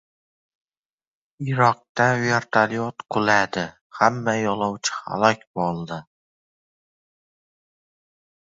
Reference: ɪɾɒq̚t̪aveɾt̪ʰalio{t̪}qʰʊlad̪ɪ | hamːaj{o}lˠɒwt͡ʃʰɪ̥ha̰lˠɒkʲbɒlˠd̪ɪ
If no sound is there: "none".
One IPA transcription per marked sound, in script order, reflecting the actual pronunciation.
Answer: t̪, ɒ

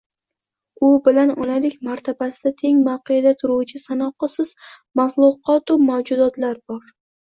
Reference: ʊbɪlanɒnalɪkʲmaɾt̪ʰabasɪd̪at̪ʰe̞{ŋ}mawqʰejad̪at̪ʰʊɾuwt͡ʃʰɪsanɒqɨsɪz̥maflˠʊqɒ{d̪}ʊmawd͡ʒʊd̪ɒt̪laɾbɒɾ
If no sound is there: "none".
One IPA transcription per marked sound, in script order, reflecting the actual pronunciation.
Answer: ŋ, t̪

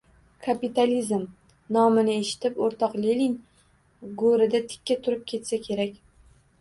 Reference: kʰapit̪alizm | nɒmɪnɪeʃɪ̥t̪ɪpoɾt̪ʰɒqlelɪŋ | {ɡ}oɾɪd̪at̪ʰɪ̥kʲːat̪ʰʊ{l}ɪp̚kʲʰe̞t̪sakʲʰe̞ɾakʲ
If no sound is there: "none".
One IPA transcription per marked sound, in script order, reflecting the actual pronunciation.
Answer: ɡ, ɾ

